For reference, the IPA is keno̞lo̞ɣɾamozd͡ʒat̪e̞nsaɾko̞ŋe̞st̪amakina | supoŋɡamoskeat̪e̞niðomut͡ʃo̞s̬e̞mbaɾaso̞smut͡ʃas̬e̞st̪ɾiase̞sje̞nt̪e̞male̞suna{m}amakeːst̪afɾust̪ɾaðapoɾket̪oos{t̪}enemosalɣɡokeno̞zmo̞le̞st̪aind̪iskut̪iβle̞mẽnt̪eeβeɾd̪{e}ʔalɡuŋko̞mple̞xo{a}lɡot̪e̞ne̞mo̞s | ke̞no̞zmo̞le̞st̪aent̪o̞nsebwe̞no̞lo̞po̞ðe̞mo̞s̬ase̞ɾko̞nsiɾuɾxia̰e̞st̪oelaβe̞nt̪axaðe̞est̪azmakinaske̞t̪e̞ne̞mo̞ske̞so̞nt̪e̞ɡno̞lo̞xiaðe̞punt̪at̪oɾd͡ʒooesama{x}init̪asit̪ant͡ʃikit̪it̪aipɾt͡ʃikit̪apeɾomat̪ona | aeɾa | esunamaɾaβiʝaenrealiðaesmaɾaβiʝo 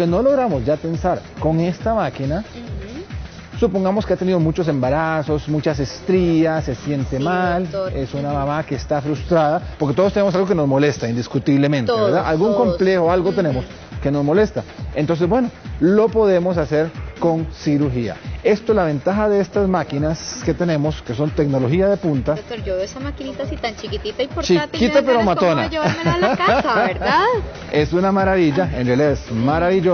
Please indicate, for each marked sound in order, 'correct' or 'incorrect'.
correct, correct, incorrect: a, correct, incorrect: k

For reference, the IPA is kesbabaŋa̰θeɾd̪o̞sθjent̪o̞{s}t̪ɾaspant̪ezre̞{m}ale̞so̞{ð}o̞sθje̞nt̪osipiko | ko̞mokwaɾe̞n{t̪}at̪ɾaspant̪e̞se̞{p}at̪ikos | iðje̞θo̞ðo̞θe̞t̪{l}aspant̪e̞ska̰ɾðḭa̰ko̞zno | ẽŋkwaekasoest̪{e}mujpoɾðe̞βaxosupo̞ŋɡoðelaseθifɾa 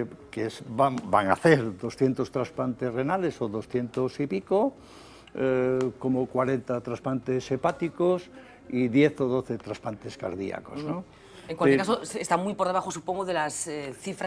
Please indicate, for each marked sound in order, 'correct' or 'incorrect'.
correct, incorrect: n, correct, correct, correct, incorrect: ɾ, incorrect: a

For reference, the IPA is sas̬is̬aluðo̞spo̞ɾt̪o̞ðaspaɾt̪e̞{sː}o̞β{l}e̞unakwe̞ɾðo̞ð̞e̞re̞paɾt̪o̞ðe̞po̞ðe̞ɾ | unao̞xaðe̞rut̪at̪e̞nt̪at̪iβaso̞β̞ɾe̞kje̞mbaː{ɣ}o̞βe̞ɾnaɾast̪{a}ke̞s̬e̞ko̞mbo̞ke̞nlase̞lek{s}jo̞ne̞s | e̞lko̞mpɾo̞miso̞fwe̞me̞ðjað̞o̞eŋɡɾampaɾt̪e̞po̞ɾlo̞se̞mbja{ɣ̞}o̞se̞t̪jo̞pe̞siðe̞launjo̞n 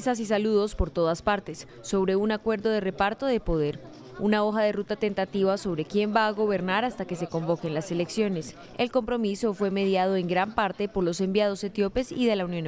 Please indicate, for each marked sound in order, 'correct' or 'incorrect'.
correct, incorrect: ɾ, correct, correct, correct, incorrect: ð̞

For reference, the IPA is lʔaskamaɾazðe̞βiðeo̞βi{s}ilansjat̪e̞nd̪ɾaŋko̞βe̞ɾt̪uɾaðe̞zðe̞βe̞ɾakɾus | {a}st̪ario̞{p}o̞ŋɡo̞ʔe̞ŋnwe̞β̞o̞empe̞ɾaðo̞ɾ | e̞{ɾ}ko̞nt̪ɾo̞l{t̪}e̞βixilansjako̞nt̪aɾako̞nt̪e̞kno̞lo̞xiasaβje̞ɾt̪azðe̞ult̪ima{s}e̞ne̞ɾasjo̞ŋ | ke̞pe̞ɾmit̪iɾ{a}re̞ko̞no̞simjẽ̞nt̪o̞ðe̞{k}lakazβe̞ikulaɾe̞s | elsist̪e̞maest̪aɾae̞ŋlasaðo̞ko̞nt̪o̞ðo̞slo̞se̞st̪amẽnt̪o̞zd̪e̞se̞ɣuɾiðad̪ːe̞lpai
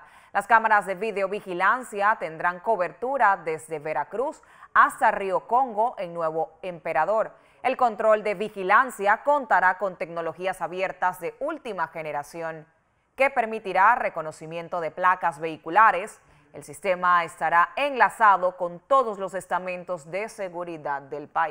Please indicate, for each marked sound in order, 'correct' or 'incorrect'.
incorrect: x, correct, incorrect: k, incorrect: l, incorrect: d̪, incorrect: x, correct, incorrect: p

